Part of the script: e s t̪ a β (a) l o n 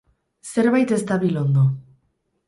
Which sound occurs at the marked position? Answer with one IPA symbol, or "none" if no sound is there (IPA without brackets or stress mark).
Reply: i